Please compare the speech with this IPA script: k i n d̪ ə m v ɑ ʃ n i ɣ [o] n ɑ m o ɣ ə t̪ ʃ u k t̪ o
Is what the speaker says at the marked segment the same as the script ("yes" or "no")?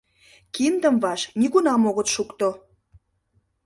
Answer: no